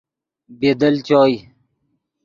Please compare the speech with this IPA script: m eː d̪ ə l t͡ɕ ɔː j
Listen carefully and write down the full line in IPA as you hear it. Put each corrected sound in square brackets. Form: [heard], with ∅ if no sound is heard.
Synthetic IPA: [b] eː d̪ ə l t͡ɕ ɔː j